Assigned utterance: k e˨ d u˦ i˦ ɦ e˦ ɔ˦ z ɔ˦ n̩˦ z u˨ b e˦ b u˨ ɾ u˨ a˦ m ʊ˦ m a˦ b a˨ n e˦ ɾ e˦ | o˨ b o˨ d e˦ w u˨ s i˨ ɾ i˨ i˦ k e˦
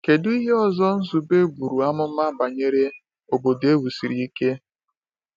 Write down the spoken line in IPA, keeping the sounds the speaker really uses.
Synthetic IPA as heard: k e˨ d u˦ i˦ ɦ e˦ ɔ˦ z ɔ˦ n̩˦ z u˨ b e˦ b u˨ ɾ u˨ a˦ m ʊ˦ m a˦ b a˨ ɲ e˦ ɾ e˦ | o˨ b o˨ d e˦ w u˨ s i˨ ɾ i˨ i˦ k e˦